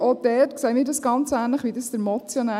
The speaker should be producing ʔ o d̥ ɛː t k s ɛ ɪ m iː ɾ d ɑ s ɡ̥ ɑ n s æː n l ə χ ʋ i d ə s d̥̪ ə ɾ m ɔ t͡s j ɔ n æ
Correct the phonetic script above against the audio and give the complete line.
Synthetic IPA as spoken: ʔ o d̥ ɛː t k s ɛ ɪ m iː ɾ d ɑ s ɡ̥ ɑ n t͡s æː n l ə χ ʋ i d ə s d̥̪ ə ɾ m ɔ t͡s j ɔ n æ